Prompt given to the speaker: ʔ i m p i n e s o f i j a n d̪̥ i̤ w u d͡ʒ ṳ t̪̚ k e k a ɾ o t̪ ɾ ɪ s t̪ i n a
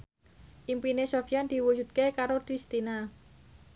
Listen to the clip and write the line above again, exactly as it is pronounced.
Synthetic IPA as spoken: ʔ i m p i n e s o f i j a n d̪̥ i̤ w u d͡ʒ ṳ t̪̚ k e k a ɾ o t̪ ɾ i s t̪ i n a

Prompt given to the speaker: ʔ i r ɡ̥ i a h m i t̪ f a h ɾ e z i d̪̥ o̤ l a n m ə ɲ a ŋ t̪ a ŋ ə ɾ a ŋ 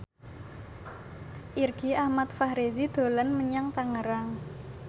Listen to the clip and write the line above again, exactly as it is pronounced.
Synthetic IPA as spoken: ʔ i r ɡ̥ i a h m a t̪ f a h ɾ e z i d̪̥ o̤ l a n m ə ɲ a ŋ t̪ a ŋ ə ɾ a ŋ

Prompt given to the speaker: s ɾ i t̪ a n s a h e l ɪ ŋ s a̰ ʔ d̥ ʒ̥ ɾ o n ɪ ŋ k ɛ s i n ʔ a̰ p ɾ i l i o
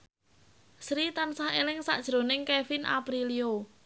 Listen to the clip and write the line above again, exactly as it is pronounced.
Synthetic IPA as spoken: s ɾ i t̪ a n s a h e l ɪ ŋ s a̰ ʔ d̥ ʒ̥ ɾ o n ɪ ŋ k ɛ f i n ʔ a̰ p ɾ i l i o

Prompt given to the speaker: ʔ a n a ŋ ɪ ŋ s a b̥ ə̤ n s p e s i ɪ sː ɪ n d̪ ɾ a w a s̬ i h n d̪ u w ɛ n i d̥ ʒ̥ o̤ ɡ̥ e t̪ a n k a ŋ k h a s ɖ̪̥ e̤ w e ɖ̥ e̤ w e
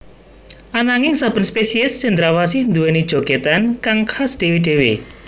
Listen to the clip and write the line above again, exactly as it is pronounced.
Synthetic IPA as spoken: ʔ a n a ŋ ɪ ŋ s a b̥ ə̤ n s p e s i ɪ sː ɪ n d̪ ɾ a w a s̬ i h n d̪ u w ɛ n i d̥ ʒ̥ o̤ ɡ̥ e t̪ a n k a ŋ k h a s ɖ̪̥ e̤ w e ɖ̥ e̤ w e

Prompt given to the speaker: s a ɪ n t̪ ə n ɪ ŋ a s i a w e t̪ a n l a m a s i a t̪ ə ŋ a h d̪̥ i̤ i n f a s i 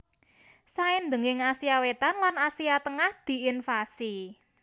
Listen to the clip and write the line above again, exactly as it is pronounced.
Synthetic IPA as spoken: s a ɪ n d̪ ə ŋ ɪ ŋ a s i a w e t̪ a n l a n a s i a t̪ ə ŋ a h d̪̥ i̤ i n f a s i

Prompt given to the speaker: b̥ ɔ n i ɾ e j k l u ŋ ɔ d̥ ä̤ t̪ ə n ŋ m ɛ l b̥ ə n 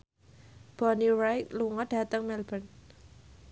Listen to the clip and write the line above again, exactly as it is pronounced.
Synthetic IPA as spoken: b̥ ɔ n i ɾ a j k l u ŋ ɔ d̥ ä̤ t̪ ə ŋ m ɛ l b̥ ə n

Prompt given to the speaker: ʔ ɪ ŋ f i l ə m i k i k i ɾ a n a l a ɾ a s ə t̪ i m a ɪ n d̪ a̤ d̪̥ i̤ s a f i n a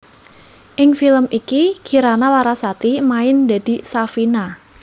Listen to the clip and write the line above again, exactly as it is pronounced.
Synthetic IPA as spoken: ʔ ɪ ŋ f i l ə m i k i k i ɾ a n a l a ɾ a s a t̪ i m a ɪ n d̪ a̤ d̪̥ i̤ s a f i n a

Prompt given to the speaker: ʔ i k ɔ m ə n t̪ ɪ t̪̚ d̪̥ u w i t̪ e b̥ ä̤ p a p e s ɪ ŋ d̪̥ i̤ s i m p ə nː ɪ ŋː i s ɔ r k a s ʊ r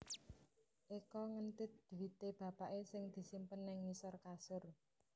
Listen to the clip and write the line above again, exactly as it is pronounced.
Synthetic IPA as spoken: ʔ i k ɔ ŋ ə n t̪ ɪ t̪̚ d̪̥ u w i t̪ e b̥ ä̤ p a ʔ e s ɪ ŋ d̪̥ i̤ s i m p ə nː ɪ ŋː i s ɔ r k a s ʊ r

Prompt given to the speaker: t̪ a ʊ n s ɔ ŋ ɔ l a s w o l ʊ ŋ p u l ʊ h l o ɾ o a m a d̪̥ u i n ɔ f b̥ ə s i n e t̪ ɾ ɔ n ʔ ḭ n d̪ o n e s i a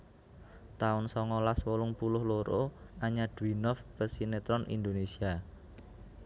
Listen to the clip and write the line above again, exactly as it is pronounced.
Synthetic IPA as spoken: t̪ a ʊ n s ɔ ŋ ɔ l a s w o l ʊ ŋ p u l ʊ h l o ɾ o a ɲ a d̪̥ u i n ɔ f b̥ ə s i n e t̪ ɾ ɔ n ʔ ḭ n d̪ o n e s i a

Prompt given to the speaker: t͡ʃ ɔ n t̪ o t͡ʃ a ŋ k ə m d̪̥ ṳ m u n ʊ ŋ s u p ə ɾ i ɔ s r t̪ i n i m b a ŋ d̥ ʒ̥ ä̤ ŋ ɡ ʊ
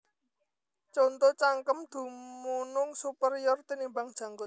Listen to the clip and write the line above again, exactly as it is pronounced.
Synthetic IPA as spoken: t͡ʃ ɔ n t̪ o t͡ʃ a ŋ k ə m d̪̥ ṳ m u n ʊ ŋ s u p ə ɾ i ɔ r t̪ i n i m b a ŋ d̥ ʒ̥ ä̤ ŋ ɡ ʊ

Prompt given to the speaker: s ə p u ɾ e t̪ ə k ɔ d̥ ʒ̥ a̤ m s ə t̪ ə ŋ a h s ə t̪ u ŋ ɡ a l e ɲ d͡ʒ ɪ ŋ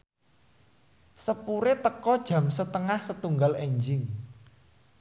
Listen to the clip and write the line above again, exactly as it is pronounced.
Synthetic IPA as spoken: s ə p u ɾ e t̪ ə k ɔ d̥ ʒ̥ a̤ m s ə t̪ ə ŋ a h s ə t̪ u ŋ ɡ a l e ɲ d͡ʒ ɪ ŋ

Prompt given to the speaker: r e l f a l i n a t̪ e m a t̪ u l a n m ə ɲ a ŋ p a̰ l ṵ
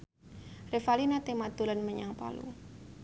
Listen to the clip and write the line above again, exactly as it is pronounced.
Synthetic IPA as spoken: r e f a l i n a t̪ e m a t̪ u l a n m ə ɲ a ŋ p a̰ l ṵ

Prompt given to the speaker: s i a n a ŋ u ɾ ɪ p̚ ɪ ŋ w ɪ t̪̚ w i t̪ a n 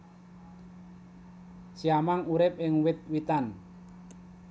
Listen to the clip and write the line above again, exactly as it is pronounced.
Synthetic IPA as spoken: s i a m a ŋ u ɾ ɪ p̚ ɪ ŋ w ɪ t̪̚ w i t̪ a n

